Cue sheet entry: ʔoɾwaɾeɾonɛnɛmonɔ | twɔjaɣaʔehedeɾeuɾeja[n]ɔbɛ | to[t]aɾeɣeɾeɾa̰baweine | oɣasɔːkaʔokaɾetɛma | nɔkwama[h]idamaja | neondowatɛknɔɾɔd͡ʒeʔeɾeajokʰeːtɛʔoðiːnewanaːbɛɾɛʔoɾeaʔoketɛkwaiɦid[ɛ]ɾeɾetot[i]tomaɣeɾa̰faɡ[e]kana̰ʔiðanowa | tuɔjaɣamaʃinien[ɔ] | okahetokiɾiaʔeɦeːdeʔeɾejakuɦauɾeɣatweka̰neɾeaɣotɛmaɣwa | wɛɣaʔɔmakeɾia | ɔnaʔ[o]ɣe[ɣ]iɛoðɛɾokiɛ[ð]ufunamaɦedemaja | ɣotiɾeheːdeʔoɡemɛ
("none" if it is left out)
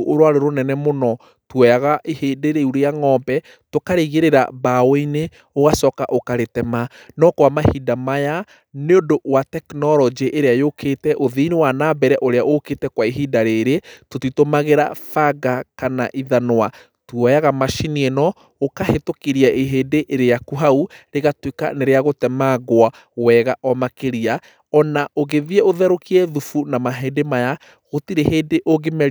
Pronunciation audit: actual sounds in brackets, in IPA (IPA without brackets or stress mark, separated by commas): ŋ, k, h, a, i, a, ɔ, o, ð, ð